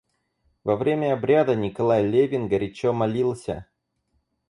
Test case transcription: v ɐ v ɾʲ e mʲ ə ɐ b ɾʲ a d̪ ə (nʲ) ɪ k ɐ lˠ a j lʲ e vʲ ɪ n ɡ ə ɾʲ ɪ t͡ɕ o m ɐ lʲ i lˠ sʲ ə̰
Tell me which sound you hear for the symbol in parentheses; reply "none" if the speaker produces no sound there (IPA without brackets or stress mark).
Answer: nʲ